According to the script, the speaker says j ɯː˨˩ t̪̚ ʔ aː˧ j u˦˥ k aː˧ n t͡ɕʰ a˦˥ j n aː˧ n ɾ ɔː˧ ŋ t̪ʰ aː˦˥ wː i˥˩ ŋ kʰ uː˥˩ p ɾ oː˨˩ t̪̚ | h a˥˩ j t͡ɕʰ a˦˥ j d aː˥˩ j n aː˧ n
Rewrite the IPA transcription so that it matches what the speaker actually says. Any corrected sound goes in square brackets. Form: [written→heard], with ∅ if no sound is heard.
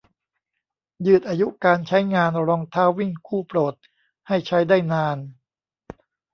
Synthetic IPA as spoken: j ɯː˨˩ t̪̚ ʔ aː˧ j u˦˥ k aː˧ n t͡ɕʰ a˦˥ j [n→ŋ] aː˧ n ɾ ɔː˧ ŋ t̪ʰ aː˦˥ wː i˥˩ ŋ kʰ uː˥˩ p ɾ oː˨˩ t̪̚ | h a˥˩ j t͡ɕʰ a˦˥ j d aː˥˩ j n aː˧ n